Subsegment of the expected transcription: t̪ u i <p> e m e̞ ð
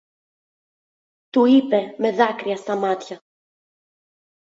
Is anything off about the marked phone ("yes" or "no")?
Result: no